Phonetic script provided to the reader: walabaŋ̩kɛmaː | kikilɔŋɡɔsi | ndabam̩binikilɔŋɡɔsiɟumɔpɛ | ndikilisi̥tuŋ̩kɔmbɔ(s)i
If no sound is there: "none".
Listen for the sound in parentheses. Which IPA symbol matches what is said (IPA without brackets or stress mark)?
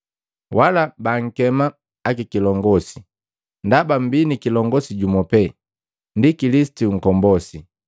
s